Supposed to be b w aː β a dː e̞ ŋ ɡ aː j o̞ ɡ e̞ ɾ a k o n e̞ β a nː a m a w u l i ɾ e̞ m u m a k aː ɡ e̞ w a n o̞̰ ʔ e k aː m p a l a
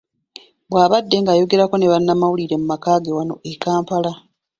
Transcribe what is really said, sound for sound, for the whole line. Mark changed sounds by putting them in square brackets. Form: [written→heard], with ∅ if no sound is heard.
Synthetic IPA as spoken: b w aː β a dː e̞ ŋ ɡ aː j o̞ ɡ e̞ ɾ a k o n e̞ β a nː a m a w u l i ɾ e̞ m u m a k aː ɡ e̞ w a n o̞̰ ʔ e k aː m p a l a